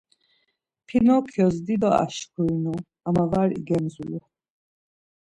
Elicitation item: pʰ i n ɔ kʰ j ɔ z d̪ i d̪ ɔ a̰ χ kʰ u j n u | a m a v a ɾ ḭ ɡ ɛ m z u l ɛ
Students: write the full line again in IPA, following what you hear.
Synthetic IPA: pʰ i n ɔ kʰ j ɔ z d̪ i d̪ ɔ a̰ ʃ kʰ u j n u | a m a v a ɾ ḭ ɡ ɛ m z u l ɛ